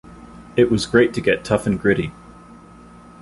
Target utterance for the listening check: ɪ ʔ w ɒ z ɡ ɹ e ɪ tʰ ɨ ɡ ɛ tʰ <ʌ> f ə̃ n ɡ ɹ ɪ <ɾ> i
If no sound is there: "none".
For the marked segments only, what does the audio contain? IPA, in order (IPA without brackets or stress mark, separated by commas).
ʌ, ɾ